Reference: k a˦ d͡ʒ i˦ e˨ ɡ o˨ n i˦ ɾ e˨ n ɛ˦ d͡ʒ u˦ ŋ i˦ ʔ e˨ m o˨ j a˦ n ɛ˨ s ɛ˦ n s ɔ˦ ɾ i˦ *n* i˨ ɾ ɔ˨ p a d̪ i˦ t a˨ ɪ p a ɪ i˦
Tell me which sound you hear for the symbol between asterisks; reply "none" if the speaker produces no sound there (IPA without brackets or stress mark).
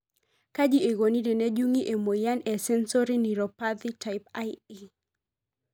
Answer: n